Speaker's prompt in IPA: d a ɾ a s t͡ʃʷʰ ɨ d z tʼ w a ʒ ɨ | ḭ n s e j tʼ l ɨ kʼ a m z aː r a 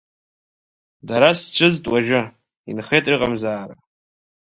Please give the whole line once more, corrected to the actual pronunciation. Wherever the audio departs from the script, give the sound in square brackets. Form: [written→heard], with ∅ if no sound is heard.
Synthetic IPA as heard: d a ɾ a s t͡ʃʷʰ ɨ [d→∅] z tʼ w a ʒ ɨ | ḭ n [s→χ] e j tʼ [l→r] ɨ [kʼ→qʼ] a m z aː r a

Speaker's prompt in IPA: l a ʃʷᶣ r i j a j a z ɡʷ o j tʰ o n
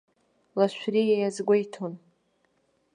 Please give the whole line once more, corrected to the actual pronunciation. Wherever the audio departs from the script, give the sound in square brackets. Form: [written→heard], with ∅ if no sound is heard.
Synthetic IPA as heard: l a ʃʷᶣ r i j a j a z ɡʷ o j tʰ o n

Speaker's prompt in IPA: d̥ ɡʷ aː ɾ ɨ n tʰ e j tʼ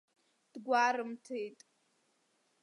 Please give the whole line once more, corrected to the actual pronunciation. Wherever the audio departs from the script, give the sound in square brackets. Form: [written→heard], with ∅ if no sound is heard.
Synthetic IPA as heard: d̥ ɡʷ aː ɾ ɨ [n→m] tʰ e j tʼ

